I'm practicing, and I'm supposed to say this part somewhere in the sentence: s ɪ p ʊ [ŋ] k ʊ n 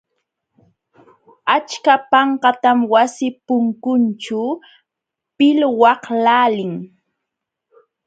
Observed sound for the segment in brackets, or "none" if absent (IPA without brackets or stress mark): ŋ